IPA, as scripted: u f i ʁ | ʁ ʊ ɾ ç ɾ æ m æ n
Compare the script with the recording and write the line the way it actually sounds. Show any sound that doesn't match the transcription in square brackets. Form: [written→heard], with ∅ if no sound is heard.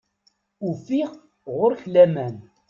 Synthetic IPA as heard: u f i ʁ | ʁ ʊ ɾ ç [ɾ→l] æ m æ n